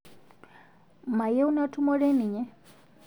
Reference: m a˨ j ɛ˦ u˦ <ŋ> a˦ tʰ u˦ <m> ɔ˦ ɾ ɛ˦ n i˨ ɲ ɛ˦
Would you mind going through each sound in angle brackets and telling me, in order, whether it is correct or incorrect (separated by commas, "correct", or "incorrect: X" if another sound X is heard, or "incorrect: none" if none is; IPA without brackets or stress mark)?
incorrect: n, correct